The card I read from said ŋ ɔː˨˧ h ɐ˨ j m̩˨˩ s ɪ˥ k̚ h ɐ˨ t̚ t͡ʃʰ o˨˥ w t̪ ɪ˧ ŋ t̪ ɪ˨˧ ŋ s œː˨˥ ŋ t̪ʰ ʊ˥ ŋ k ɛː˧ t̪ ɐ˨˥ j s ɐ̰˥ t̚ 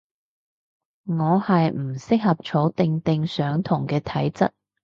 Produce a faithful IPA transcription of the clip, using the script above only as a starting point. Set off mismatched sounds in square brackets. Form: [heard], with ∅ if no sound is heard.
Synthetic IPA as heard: ŋ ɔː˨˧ h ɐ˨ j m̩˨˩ s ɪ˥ k̚ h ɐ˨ [p̚] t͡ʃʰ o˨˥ w t̪ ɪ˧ ŋ t̪ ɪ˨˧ ŋ s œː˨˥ ŋ t̪ʰ [ʊ˨˩] ŋ k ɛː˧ [t̪ʰ] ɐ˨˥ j [t͡s] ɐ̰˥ t̚